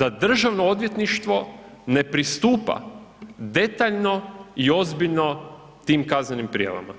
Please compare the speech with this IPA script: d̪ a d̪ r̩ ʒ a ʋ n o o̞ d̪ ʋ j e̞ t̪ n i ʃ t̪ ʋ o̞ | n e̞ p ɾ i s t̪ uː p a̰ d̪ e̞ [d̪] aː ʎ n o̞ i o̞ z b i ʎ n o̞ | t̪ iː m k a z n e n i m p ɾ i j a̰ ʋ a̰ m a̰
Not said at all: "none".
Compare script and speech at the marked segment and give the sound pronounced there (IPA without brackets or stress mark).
t̪